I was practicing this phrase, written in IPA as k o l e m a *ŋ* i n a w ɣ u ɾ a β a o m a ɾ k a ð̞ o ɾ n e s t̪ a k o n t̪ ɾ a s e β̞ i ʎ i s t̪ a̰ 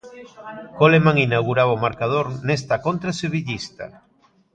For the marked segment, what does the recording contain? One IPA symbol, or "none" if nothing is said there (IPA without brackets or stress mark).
ŋ